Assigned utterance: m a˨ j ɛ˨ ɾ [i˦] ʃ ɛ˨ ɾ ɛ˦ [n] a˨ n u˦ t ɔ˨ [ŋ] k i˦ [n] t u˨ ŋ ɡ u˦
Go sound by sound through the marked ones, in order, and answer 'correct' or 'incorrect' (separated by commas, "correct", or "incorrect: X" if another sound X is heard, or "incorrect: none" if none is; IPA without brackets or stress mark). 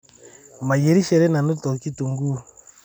correct, correct, incorrect: none, incorrect: none